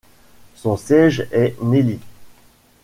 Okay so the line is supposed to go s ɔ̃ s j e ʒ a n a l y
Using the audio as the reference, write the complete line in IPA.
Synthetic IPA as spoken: s ɔ̃ s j ɛ ʒ ɛ n e l i